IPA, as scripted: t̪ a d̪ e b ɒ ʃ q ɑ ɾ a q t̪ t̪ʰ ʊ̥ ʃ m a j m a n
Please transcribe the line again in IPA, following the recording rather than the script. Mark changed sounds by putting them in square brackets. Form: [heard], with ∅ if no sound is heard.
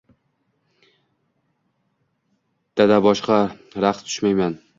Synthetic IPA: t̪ a d̪ [a] b ɒ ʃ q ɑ ɾ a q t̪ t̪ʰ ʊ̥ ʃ m a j m a n